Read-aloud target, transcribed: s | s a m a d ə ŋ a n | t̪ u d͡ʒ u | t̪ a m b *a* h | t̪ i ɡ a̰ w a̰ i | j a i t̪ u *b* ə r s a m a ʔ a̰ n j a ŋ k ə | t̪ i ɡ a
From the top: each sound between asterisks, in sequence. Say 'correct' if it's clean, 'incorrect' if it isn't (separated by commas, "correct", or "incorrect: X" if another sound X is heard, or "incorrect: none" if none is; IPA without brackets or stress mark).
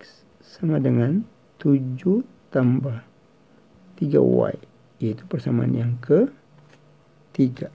correct, incorrect: p